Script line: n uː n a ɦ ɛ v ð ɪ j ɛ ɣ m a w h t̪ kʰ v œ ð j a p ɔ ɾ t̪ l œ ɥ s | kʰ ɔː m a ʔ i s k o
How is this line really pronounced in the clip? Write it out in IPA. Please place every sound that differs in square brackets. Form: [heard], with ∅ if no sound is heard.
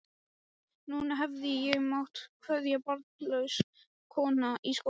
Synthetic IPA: n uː n a ɦ ɛ v ð ɪ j ɛ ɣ m a w h t̪ kʰ v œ ð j a p ɔ ɾ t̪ l œ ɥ s | kʰ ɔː [n] a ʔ i s k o